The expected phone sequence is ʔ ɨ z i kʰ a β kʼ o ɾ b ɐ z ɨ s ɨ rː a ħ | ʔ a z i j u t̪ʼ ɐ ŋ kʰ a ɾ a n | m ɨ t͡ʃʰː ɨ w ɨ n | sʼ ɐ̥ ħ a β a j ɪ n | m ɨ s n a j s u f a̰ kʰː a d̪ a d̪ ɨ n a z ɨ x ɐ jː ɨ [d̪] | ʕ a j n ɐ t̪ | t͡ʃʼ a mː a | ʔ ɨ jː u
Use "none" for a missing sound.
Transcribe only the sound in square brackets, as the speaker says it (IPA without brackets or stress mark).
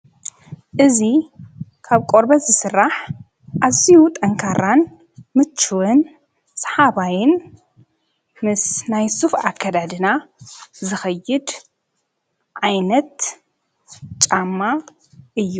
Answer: d̪